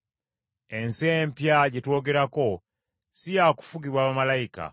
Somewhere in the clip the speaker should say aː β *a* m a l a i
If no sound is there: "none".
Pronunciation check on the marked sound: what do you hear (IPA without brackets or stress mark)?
a